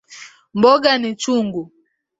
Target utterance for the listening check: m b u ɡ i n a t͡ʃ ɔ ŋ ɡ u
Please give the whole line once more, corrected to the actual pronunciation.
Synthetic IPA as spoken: m b ɔ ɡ a n i t͡ʃ u ŋ ɡ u